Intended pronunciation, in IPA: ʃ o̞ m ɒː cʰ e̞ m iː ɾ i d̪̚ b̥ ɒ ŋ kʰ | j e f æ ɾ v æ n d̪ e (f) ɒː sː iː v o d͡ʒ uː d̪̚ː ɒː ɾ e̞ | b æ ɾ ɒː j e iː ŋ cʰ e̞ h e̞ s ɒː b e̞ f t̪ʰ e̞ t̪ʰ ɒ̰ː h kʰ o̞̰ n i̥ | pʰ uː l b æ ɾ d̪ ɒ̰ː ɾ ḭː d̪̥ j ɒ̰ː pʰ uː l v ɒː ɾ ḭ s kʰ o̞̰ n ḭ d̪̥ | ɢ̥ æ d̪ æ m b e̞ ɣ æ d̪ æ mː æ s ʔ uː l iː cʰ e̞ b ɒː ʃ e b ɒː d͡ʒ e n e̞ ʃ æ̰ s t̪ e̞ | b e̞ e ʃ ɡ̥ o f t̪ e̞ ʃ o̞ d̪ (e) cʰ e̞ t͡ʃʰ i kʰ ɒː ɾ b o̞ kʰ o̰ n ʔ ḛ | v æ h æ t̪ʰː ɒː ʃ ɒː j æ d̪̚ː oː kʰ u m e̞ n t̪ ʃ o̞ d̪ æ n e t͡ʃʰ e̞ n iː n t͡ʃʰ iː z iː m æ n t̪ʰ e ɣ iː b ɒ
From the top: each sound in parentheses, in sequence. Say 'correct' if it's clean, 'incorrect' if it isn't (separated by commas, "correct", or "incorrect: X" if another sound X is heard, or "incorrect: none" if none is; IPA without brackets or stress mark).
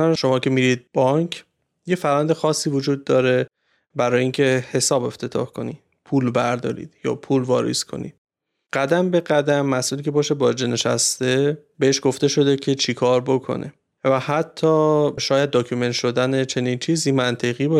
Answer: incorrect: x, correct